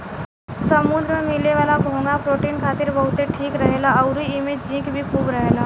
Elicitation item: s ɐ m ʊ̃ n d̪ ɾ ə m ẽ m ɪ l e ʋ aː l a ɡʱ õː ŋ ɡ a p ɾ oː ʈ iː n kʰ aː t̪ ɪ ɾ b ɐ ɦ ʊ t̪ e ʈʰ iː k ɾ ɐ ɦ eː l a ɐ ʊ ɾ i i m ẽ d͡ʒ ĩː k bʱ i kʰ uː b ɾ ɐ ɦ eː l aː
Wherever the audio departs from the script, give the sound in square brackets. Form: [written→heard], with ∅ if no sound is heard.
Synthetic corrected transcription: s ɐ m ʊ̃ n d̪ ɾ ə m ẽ m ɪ l e ʋ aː l a ɡʱ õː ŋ ɡ a p ɾ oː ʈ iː n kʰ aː t̪ ɪ ɾ b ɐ ɦ ʊ t̪ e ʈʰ iː k ɾ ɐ ɦ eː l a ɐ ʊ ɾ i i m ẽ d͡ʒ ĩː k bʱ i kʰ uː b ɾ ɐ ɦ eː l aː